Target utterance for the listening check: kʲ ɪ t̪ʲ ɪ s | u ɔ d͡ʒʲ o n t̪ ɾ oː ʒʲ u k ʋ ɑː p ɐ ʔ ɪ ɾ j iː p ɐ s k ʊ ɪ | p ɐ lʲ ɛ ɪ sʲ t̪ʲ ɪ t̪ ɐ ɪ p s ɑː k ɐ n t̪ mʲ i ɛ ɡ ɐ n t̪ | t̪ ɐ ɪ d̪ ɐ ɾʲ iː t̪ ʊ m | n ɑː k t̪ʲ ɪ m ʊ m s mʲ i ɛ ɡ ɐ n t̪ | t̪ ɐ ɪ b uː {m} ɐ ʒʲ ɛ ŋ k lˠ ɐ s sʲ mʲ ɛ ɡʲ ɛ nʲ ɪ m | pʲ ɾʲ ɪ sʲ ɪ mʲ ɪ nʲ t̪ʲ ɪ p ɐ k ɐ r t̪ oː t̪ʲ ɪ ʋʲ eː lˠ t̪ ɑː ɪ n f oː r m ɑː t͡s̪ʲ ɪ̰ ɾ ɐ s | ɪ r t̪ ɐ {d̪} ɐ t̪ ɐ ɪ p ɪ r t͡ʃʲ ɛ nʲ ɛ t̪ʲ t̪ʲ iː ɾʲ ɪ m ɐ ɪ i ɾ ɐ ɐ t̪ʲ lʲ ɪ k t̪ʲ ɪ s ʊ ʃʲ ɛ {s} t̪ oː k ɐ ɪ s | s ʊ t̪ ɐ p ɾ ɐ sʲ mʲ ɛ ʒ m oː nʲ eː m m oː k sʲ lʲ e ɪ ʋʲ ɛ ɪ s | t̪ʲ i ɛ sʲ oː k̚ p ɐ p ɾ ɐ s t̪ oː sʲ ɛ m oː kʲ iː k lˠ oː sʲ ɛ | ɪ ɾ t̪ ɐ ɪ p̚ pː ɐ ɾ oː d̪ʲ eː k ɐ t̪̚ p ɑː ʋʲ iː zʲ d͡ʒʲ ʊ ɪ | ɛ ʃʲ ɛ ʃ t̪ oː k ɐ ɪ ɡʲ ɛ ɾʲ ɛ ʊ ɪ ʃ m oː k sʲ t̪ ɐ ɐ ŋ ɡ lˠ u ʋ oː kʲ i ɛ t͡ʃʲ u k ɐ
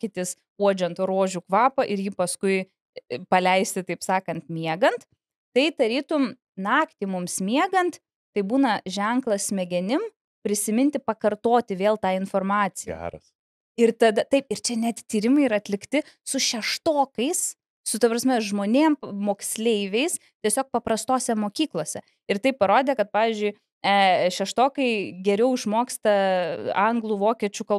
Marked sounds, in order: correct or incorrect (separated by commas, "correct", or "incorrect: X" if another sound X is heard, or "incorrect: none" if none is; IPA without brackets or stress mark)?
incorrect: n, correct, incorrect: ʃ